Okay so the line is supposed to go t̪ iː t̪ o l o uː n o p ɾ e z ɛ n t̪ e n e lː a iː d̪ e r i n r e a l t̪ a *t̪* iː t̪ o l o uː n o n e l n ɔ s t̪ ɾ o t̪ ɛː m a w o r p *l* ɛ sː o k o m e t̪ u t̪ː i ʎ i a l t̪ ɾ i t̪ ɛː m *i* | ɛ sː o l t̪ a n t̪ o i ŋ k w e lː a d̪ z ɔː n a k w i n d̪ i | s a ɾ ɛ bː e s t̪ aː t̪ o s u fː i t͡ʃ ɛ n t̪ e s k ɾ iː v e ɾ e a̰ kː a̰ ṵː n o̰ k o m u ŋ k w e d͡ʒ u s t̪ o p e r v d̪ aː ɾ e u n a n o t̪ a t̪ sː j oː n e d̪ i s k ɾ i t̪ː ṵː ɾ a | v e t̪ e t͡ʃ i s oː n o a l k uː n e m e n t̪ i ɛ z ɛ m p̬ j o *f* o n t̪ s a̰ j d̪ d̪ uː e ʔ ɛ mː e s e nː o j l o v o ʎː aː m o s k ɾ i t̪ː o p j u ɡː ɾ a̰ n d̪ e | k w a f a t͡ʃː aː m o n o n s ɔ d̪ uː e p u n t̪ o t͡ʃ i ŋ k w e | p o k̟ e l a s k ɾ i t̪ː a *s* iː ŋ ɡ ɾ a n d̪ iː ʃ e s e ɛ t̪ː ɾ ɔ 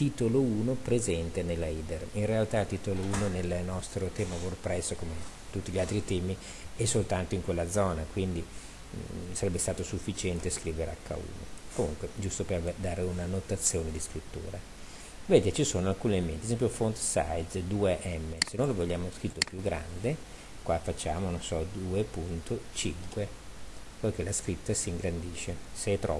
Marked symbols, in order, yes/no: yes, no, yes, yes, yes

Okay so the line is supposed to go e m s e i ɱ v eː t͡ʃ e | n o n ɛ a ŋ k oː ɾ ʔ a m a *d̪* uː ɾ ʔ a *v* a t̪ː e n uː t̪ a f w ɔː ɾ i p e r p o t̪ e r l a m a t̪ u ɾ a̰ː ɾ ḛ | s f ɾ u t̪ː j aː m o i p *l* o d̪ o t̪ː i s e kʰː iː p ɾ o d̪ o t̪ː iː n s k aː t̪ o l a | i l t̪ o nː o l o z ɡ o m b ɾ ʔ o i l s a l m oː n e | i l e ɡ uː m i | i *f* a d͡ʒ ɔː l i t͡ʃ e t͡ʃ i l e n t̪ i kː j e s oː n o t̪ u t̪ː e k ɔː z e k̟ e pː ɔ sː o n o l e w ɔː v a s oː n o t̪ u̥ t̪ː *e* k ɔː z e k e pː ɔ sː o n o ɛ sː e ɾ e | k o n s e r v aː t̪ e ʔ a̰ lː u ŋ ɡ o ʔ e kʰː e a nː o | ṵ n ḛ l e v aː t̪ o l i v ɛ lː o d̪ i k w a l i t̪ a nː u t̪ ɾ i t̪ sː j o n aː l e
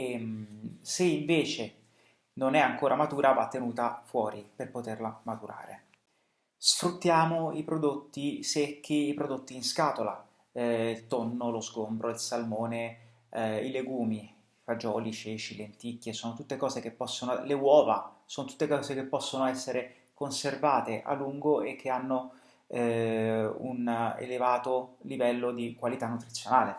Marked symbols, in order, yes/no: no, yes, no, yes, yes

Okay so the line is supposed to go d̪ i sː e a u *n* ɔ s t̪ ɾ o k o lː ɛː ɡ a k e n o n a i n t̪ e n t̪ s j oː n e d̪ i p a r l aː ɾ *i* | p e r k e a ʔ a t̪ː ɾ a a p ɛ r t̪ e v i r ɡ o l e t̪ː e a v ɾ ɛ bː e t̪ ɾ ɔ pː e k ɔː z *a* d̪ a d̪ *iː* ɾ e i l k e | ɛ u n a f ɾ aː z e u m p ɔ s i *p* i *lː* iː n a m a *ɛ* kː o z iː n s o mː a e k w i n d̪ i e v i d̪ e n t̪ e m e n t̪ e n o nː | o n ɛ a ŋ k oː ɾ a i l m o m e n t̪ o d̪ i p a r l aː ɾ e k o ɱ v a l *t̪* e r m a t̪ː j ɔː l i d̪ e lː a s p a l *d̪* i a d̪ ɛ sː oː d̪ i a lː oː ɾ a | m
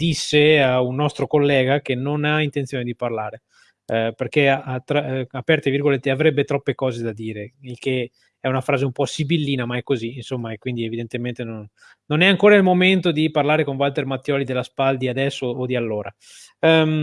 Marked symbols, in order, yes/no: no, no, no, yes, no, yes, yes, yes, yes

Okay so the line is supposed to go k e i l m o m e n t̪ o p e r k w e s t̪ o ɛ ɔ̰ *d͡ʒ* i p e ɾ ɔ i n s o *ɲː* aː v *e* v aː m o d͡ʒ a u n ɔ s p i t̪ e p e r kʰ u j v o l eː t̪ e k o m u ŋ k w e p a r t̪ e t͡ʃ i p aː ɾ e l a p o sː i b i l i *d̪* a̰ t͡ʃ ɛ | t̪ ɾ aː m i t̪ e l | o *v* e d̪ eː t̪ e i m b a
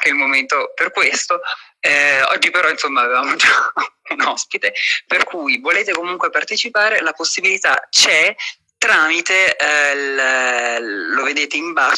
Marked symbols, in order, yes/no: no, no, yes, no, yes

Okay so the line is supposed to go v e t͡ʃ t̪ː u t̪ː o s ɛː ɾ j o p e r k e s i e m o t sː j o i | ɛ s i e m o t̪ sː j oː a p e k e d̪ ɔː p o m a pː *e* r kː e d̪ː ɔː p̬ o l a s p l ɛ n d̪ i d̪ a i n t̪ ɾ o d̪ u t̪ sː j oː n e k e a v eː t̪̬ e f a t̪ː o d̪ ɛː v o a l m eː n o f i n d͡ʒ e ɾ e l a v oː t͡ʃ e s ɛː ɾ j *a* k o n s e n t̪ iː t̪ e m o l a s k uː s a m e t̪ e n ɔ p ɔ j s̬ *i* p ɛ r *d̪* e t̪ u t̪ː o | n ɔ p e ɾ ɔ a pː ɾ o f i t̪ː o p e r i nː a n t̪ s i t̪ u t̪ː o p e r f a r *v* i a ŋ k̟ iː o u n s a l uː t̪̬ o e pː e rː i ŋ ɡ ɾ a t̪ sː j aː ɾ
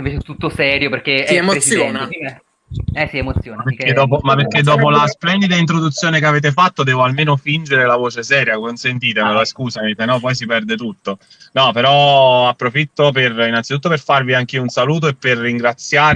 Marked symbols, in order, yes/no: yes, yes, yes, yes, yes

